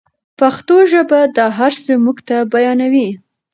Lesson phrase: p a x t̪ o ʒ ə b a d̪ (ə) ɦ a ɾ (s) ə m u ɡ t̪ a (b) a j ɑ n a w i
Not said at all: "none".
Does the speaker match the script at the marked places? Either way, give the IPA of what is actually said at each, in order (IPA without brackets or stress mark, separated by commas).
ɑ, s, b